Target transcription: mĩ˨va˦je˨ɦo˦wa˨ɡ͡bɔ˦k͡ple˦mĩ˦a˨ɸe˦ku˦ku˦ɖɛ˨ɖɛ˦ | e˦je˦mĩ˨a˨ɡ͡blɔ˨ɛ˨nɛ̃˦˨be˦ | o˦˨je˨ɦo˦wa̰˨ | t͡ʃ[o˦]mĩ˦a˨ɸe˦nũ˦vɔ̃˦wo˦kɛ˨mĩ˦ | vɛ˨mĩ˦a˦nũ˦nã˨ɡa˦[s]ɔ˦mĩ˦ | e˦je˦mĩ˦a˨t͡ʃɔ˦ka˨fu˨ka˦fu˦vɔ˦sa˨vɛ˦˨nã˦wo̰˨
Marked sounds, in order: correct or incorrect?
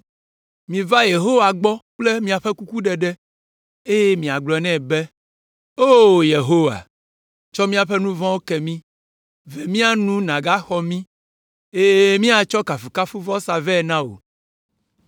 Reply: incorrect, incorrect

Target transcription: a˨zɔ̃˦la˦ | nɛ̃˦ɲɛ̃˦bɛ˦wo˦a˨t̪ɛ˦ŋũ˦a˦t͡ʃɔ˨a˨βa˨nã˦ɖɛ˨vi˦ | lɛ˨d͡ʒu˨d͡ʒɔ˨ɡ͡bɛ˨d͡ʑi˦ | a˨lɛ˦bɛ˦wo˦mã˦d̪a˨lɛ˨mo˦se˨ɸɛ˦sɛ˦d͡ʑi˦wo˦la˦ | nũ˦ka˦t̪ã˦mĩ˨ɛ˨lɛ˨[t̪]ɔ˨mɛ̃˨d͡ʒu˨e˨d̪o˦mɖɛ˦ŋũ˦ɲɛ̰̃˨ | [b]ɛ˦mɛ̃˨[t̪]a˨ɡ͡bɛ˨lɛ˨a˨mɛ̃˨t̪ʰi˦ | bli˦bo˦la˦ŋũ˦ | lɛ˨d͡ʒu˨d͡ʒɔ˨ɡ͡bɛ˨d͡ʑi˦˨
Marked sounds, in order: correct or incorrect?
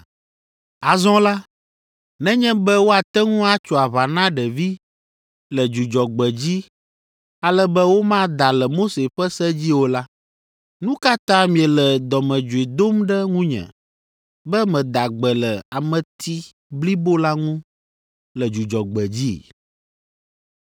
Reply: incorrect, correct, incorrect

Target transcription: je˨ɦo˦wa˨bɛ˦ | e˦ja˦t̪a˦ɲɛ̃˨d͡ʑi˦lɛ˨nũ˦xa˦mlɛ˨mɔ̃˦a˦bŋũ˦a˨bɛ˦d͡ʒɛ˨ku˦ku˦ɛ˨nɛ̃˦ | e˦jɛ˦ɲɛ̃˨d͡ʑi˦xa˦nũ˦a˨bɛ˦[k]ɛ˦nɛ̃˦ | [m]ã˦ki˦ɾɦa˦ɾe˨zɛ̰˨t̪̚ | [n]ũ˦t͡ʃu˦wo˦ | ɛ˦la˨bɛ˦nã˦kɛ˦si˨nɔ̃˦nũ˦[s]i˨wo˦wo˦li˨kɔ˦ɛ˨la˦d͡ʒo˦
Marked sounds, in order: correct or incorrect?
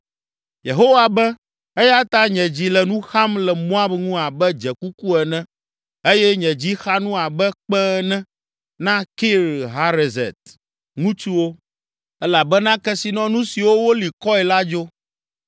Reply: incorrect, incorrect, incorrect, correct

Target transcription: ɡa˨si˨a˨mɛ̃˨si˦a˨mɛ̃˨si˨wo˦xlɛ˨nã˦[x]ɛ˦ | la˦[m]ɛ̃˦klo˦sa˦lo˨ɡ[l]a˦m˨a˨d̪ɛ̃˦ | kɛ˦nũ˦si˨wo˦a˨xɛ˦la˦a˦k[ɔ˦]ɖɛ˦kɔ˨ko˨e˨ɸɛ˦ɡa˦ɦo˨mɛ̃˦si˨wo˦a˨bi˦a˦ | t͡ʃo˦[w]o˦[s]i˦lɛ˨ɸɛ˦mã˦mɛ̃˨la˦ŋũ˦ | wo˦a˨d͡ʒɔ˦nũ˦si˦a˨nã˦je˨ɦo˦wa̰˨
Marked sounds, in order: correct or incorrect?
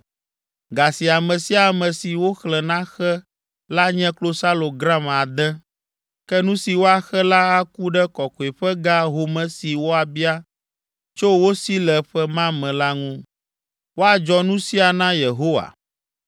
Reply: correct, incorrect, incorrect, incorrect, correct, correct

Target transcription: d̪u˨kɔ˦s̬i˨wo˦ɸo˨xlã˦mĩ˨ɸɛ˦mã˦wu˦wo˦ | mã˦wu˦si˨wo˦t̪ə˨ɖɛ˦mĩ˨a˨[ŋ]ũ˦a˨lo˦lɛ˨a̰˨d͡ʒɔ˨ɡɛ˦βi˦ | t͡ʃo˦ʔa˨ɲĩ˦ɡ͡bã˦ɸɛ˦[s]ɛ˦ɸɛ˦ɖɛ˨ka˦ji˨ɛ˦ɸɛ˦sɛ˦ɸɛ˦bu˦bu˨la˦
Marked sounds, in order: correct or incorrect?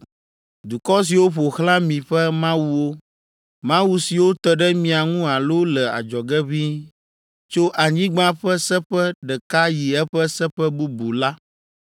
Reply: correct, correct

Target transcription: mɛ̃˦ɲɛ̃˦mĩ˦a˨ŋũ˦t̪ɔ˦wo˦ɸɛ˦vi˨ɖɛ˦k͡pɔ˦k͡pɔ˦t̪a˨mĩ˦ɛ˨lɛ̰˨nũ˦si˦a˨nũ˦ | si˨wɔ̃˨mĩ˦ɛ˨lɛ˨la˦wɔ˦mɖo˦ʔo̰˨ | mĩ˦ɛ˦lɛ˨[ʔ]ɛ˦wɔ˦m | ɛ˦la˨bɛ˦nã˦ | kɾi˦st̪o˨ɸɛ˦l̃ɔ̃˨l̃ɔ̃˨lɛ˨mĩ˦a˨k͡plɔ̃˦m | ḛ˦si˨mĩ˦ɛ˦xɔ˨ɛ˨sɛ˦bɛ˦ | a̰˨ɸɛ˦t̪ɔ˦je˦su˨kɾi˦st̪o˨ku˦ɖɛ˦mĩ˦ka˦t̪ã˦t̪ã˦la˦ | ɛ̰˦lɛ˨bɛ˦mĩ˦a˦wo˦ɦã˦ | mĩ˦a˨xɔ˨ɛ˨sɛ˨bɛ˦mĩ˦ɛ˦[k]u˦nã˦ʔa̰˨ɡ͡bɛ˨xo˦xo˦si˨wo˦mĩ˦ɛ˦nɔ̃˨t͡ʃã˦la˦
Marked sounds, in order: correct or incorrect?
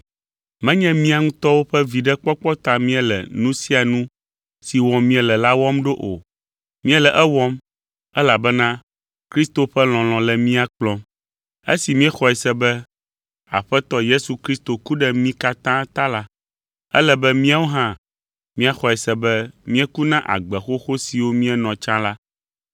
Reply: correct, correct

